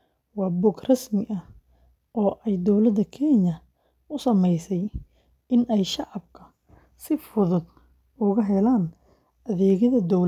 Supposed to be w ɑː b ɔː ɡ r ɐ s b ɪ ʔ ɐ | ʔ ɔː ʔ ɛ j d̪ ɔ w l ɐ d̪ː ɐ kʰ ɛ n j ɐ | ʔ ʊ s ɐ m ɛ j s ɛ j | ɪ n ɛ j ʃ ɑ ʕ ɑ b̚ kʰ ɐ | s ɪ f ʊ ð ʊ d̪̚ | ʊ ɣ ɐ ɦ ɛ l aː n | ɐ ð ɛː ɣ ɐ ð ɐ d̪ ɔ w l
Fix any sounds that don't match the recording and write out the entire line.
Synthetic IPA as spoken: w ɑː b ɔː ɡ r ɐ s m ɪ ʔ ɐ | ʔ ɔː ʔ ɛ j d̪ ɔ w l ɐ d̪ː ɐ kʰ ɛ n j ɐ | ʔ ʊ s ɐ m ɛ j s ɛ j | ɪ n ɛ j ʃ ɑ ʕ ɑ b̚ kʰ ɐ | s ɪ f ʊ ð ʊ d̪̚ | ʊ ɣ ɐ ɦ ɛ l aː n | ɐ ð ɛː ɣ ɐ ð ɐ d̪ ɔ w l

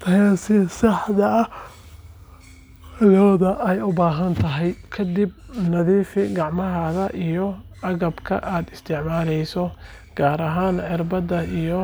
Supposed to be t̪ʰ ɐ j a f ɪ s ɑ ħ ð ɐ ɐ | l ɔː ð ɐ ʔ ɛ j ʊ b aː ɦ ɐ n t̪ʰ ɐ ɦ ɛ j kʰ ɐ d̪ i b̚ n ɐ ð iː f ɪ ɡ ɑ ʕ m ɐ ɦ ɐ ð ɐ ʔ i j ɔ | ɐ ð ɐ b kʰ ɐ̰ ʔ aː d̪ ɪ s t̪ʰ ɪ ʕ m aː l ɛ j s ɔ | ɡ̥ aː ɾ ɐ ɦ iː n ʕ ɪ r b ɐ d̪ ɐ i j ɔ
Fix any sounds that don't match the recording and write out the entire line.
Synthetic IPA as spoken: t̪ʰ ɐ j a s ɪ s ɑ ħ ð ɐ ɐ | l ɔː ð ɐ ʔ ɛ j ʊ b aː ɦ ɐ n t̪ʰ ɐ ɦ ɛ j kʰ ɐ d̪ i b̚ n ɐ ð iː f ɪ ɡ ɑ ʕ m ɐ ɦ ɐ ð ɐ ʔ i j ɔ | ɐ ɣ ɐ b kʰ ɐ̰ ʔ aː d̪ ɪ s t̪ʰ ɪ ʕ m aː l ɛ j s ɔ | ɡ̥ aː ɾ ɐ ɦ aː n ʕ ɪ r b ɐ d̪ ɐ i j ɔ

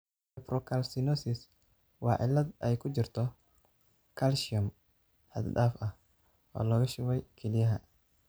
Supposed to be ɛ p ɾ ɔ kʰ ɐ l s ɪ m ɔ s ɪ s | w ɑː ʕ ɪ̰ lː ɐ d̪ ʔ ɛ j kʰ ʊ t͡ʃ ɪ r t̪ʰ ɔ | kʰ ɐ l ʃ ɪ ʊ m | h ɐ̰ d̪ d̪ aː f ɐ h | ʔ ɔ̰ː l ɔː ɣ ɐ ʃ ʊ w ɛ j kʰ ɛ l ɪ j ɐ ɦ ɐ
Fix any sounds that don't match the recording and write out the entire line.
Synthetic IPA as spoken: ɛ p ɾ ɔ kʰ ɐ l s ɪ n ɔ s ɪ s | w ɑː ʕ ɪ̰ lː ɐ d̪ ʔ ɛ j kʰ ʊ t͡ʃ ɪ r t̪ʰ ɔ | kʰ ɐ l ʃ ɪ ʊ m | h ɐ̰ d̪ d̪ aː f ɐ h | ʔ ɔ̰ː l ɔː ɣ ɐ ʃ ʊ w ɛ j kʰ ɛ l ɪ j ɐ ɦ ɐ

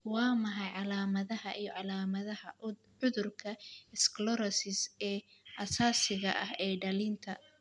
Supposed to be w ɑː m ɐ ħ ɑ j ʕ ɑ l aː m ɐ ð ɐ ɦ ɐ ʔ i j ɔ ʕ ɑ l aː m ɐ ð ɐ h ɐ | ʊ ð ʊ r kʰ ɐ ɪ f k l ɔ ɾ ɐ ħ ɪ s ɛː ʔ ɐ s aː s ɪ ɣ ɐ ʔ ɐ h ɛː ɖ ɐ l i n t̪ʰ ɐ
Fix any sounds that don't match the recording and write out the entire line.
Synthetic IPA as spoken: w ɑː m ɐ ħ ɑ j ʕ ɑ l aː m ɐ ð ɐ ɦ ɐ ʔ i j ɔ ʕ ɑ l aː m ɐ ð ɐ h ɐ | ʊ ð ʊ r kʰ ɐ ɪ s k l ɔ ɾ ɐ s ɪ s ɛː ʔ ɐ s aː s ɪ ɣ ɐ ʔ ɐ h ɛː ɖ ɐ l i n t̪ʰ ɐ

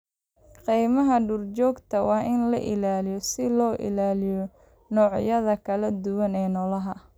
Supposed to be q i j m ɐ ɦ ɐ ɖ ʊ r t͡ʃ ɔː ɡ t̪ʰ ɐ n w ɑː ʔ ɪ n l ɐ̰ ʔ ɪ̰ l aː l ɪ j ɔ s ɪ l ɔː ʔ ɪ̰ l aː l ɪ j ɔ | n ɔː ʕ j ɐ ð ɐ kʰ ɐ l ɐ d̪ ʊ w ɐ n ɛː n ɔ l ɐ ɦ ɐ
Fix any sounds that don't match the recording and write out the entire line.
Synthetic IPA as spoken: q i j m ɐ ɦ ɐ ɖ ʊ r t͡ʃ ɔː ɡ t̪ʰ ɐ w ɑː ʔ ɪ n l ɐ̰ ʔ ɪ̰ l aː l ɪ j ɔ s ɪ l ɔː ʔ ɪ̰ l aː l ɪ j ɔ | n ɔː ʕ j ɐ ð ɐ kʰ ɐ l ɐ d̪ ʊ w ɐ n ɛː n ɔ l ɐ ɦ ɐ

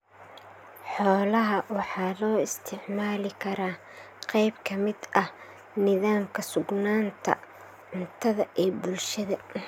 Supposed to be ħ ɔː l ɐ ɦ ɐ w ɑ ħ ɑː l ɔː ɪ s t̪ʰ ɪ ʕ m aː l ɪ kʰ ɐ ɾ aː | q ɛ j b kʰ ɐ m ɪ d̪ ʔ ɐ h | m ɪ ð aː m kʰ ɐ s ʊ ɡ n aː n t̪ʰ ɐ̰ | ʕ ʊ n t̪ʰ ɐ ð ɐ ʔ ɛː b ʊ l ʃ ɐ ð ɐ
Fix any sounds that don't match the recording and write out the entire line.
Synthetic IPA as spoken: ħ ɔː l ɐ ɦ ɐ w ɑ ħ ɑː l ɔː ɪ s t̪ʰ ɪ ʕ m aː l ɪ kʰ ɐ ɾ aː | q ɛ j b kʰ ɐ m ɪ d̪ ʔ ɐ h | n ɪ ð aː m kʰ ɐ s ʊ ɡ n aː n t̪ʰ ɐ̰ | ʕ ʊ n t̪ʰ ɐ ð ɐ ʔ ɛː b ʊ l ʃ ɐ ð ɐ

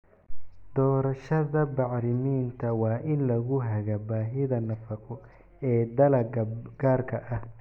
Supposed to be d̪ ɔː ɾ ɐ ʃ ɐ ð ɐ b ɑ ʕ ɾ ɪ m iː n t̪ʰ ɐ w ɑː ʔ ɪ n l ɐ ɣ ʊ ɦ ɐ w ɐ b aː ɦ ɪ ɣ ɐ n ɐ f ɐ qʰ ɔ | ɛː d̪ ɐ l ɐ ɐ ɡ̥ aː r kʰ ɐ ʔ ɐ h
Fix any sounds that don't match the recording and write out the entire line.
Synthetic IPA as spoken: d̪ ɔː ɾ ɐ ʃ ɐ ð ɐ b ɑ ʕ ɾ ɪ m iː n t̪ʰ ɐ w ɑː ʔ ɪ n l ɐ ɣ ʊ ɦ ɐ ɣ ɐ b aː ɦ ɪ ð ɐ n ɐ f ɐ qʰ ɔ | ɛː d̪ ɐ l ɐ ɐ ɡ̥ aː r kʰ ɐ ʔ ɐ h

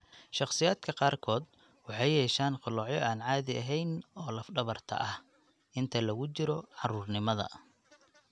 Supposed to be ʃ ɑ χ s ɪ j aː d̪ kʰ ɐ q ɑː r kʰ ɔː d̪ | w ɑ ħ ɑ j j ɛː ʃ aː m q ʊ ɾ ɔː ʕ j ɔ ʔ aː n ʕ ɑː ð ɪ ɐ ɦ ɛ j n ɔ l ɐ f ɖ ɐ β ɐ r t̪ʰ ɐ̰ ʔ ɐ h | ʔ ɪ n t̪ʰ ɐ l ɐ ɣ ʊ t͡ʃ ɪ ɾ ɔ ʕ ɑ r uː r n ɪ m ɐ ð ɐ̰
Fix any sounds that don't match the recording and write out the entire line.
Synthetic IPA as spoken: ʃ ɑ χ s ɪ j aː d̪ kʰ ɐ q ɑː r kʰ ɔː d̪ | w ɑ ħ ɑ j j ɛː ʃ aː n q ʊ l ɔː ʕ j ɔ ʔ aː n ʕ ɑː ð ɪ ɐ ɦ ɛ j n ɔː l ɐ f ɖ ɐ β ɐ r t̪ʰ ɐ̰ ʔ ɐ h | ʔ ɪ n t̪ʰ ɐ l ɐ ɣ ʊ t͡ʃ ɪ ɾ ɔ ʕ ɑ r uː r n ɪ m ɐ ð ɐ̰

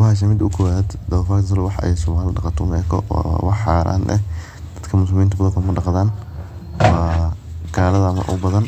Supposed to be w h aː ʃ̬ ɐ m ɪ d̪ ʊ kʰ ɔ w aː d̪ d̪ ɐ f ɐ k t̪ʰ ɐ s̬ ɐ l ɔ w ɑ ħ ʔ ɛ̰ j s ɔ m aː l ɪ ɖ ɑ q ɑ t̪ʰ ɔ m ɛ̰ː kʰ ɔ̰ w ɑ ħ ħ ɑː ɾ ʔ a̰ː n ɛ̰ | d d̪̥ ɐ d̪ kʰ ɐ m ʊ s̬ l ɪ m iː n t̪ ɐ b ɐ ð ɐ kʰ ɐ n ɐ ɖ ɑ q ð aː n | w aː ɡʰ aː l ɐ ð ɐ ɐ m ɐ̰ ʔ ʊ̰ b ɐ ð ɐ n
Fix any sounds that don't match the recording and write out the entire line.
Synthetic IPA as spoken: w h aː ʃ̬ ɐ m ɪ d̪ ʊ kʰ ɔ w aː d̪ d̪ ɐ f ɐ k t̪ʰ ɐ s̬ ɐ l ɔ w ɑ ħ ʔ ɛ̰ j s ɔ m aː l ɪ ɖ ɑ q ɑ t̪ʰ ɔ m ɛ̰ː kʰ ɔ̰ w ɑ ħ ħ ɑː ɾ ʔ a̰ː n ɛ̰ | d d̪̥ ɐ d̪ kʰ ɐ m ʊ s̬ l ɪ m iː n t̪ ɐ b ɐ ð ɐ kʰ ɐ m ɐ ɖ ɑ q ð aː n | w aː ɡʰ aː l ɐ ð ɐ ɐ m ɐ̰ ʔ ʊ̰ b ɐ ð ɐ n

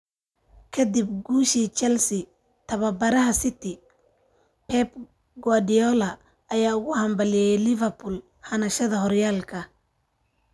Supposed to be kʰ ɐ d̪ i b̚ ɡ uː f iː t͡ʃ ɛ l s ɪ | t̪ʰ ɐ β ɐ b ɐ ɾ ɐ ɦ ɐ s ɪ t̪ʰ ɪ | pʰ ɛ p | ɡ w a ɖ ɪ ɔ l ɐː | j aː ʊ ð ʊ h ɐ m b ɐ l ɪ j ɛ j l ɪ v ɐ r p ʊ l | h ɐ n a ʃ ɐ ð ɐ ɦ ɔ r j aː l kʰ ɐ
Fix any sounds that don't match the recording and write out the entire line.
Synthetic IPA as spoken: kʰ ɐ d̪ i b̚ ɡ uː ʃ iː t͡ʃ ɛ l s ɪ | t̪ʰ ɐ β ɐ b ɐ ɾ ɐ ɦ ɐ s ɪ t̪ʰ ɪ | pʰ ɛ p | ɡ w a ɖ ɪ ɔ l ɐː | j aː ʊ ɣ ʊ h ɐ m b ɐ l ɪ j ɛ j l ɪ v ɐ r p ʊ l | h ɐ n ɐ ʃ ɐ ð ɐ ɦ ɔ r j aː l kʰ ɐ

